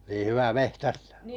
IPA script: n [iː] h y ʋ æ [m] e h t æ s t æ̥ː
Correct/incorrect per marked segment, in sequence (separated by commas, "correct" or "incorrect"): correct, correct